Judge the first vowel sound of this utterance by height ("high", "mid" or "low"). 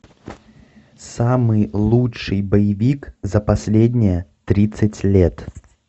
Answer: low